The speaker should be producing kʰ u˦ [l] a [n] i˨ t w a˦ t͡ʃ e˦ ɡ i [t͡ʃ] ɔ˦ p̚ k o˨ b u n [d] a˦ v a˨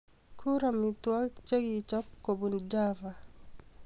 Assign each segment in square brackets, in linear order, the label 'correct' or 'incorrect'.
incorrect, incorrect, correct, incorrect

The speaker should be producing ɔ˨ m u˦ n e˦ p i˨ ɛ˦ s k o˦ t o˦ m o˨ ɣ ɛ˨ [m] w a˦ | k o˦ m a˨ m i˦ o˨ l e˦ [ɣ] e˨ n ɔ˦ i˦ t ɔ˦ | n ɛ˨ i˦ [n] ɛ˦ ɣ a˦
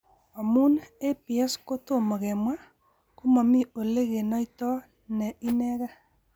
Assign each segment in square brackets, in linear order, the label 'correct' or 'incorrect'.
correct, correct, correct

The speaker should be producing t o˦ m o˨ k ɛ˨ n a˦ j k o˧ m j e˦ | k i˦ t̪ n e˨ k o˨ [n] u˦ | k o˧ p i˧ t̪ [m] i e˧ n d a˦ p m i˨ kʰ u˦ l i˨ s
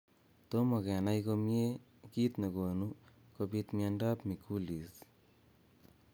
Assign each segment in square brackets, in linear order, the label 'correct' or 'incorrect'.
correct, correct

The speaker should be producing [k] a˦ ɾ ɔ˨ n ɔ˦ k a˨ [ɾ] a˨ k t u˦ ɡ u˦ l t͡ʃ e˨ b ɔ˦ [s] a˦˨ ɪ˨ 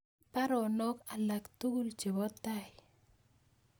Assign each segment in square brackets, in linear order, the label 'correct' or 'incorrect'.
incorrect, incorrect, incorrect

